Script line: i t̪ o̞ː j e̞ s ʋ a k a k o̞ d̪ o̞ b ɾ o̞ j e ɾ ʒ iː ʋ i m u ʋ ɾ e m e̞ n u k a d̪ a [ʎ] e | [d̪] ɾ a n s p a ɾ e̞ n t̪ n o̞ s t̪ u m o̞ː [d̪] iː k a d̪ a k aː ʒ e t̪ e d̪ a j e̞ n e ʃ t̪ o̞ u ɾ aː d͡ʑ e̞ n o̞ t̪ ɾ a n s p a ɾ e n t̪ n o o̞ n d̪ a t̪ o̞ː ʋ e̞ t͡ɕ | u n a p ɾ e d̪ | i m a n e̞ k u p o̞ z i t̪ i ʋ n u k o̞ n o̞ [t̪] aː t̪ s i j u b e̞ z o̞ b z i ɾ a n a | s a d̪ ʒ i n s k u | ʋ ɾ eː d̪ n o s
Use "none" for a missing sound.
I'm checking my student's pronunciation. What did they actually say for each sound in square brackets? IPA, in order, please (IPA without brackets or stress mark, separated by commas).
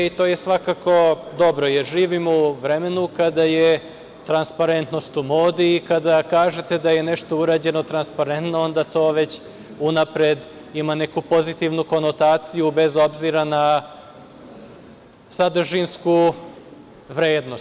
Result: j, t̪, d̪, t̪